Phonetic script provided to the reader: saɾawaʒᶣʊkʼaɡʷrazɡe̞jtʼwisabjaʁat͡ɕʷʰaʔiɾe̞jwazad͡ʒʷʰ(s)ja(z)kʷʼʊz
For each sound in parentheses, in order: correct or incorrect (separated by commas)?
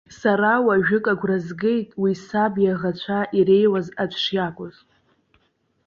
incorrect, incorrect